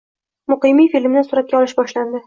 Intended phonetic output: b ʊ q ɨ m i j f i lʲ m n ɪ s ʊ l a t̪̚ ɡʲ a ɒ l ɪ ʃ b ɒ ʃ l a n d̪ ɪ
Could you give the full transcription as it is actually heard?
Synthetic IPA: m ʊ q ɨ m i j f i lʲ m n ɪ s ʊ ɾ a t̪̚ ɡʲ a ɒ l ɪ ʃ b ɒ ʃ l a n d̪ ɪ